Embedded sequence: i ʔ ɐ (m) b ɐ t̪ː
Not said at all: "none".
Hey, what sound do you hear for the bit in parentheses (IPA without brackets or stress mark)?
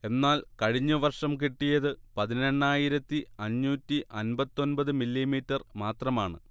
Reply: n